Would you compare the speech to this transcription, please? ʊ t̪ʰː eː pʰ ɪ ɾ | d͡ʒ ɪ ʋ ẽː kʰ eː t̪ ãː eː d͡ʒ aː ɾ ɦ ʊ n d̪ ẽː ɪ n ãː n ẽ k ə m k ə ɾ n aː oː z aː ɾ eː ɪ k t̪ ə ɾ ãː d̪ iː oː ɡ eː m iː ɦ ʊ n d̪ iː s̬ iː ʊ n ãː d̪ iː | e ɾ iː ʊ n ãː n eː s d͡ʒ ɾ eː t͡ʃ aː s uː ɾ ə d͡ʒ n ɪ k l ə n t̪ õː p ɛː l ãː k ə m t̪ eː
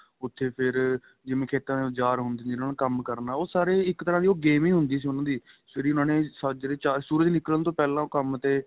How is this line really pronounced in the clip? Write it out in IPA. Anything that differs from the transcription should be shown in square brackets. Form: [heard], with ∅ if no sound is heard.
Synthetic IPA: ʊ t̪ʰː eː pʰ ɪ ɾ | d͡ʒ ɪ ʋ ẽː kʰ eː t̪ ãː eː d͡ʒ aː ɾ ɦ ʊ n d̪ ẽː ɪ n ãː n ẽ k ə m k ə ɾ n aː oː [s] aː ɾ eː ɪ k t̪ ə ɾ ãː d̪ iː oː ɡ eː m iː ɦ ʊ n d̪ iː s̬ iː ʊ n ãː d̪ iː | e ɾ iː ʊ n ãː n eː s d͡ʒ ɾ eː t͡ʃ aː s uː ɾ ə d͡ʒ n ɪ k l ə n t̪ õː p ɛː l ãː k ə m t̪ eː

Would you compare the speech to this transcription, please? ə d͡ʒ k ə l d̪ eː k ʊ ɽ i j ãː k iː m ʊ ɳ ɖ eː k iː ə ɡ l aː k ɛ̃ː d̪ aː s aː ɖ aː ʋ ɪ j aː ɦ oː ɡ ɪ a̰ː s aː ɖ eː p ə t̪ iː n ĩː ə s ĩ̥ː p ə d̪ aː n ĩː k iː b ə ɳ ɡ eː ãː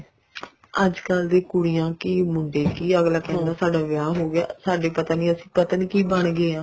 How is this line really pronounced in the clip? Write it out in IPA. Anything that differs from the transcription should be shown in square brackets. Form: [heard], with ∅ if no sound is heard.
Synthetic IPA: ə d͡ʒ k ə l d̪ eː k ʊ ɽ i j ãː k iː m ʊ ɳ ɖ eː k iː ə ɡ l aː k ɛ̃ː d̪ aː s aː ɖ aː ʋ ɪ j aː ɦ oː ɡ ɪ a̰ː s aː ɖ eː p ə t̪ [aː] n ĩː ə s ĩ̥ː p ə [t̪] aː n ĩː k iː b ə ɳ ɡ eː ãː

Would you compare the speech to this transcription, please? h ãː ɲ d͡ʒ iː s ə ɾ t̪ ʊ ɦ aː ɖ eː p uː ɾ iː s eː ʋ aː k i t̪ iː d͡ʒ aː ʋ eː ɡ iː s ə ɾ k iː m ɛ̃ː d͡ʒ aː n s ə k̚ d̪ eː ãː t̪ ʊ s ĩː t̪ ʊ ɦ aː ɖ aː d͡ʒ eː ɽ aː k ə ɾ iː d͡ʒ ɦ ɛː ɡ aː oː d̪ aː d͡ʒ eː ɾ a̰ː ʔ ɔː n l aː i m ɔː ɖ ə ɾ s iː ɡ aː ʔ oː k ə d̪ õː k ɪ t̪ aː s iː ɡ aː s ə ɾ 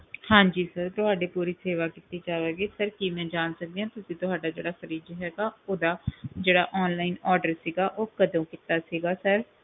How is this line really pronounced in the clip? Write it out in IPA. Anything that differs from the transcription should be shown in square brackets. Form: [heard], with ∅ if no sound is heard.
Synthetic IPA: h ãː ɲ d͡ʒ iː s ə ɾ t̪ ʊ ɦ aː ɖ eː p uː ɾ iː s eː ʋ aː k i t̪ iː d͡ʒ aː ʋ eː ɡ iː s ə ɾ k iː m ɛ̃ː d͡ʒ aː n s ə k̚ d̪ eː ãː t̪ ʊ s ĩː t̪ ʊ ɦ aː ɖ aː d͡ʒ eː ɽ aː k ə ɾ iː d͡ʒ ɦ ɛː ɡ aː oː d̪ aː d͡ʒ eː [ɽ] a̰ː ʔ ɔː n l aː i [n] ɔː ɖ ə ɾ s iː ɡ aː ʔ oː k ə d̪ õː k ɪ t̪ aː s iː ɡ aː s ə ɾ

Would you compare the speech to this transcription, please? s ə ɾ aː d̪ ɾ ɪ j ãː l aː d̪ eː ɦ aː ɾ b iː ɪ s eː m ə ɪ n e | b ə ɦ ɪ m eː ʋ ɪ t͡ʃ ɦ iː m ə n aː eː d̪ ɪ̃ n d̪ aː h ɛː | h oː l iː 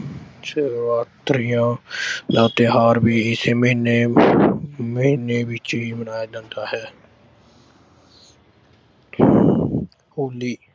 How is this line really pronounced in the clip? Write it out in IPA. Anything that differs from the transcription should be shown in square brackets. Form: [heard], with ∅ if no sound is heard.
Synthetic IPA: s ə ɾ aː [t̪] ɾ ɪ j ãː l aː [t̪] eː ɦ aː ɾ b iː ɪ s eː m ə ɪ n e | [m] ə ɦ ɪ [n] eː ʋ ɪ t͡ʃ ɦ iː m ə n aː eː d̪ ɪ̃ n d̪ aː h ɛː | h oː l iː

